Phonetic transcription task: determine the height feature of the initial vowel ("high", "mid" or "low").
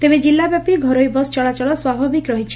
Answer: mid